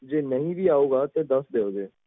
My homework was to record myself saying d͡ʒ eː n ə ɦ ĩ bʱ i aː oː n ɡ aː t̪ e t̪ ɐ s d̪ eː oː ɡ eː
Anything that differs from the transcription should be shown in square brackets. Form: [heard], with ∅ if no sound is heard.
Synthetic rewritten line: d͡ʒ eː n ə ɦ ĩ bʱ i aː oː [∅] ɡ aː t̪ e [d̪] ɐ s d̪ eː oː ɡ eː